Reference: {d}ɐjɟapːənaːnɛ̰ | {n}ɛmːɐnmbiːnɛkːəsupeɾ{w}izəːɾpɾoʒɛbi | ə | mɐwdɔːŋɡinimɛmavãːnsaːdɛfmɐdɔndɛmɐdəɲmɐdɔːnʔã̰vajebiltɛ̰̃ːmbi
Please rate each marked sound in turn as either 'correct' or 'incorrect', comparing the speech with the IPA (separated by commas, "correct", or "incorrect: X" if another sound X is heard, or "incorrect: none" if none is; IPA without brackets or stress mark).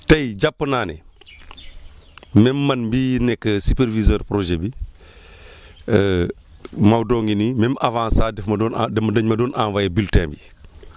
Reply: incorrect: t, incorrect: m, incorrect: v